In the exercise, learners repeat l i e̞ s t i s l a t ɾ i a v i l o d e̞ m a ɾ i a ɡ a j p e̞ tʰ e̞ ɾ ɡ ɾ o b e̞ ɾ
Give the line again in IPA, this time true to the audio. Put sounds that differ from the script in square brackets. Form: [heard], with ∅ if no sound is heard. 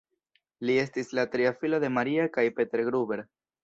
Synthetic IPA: l i e̞ s t i s l a t ɾ i a [f] i l o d e̞ m a ɾ i a [k] a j p e̞ [t] e̞ ɾ ɡ ɾ [u] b e̞ ɾ